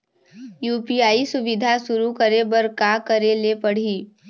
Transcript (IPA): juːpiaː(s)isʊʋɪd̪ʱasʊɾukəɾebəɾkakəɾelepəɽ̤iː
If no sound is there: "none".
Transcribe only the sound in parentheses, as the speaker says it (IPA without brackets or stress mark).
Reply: none